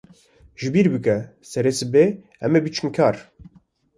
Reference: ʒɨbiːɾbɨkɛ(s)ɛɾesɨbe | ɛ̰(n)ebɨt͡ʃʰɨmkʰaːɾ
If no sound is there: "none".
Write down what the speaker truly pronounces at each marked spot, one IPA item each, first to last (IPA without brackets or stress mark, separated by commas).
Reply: s, m